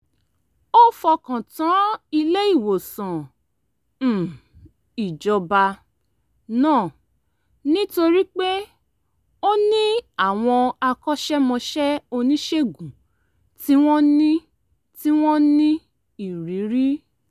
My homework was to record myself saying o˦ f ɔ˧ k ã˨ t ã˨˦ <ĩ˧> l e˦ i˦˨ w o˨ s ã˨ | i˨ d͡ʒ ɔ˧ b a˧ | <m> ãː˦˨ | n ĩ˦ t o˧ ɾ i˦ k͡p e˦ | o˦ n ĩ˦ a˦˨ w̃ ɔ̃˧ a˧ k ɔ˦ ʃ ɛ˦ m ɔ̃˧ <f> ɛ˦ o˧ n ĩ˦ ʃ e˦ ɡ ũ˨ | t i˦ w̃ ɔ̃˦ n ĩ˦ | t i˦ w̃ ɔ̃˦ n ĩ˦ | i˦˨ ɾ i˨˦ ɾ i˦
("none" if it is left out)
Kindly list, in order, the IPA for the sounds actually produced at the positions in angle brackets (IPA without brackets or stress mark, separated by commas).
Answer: i˧, n, ʃ